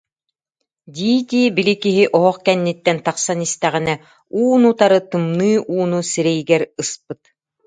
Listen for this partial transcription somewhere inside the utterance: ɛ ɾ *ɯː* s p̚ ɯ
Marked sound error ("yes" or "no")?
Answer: yes